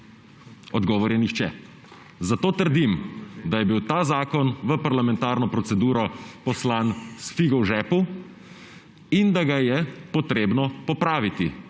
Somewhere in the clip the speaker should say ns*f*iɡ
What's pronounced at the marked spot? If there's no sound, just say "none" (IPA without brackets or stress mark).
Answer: f